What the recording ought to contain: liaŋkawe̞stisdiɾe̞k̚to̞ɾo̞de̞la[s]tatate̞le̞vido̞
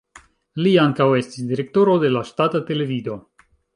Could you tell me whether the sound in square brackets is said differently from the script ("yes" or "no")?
yes